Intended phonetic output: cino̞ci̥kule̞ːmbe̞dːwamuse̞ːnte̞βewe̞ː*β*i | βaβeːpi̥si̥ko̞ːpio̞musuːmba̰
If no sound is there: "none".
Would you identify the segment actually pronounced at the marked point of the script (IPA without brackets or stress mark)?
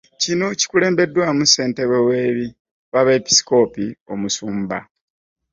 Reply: β